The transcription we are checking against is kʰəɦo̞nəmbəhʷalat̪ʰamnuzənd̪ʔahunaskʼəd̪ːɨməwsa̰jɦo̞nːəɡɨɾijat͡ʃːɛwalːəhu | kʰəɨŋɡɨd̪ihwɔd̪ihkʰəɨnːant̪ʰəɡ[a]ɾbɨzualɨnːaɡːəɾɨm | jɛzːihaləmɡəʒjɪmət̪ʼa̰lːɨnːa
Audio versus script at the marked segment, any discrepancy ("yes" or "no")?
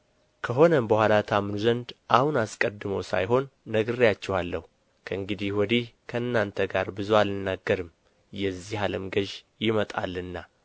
no